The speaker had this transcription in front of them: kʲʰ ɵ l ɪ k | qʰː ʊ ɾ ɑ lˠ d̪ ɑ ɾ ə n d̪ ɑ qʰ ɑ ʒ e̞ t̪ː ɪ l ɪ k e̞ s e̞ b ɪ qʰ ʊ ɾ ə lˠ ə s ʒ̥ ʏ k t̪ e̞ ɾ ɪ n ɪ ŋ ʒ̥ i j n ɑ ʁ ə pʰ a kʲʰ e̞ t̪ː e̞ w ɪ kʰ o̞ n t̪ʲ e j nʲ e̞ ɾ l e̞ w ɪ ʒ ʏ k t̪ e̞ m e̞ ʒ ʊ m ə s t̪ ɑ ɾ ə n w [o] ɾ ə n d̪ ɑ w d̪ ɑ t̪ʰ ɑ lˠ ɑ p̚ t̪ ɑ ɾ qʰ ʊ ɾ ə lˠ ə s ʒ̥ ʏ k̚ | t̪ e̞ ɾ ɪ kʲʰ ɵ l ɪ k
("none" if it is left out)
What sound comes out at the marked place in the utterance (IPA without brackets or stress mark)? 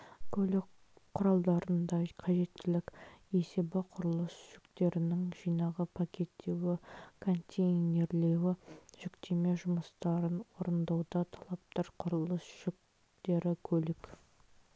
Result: o